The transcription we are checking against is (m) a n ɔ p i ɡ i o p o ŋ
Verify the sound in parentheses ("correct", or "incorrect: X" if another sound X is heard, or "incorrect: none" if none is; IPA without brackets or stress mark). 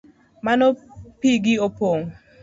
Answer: correct